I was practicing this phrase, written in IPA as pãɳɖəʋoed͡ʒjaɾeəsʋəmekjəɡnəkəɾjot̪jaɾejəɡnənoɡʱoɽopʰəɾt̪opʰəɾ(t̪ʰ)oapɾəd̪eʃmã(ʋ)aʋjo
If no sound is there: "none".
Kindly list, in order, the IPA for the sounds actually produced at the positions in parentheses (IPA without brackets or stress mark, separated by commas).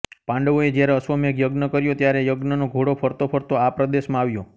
t̪, none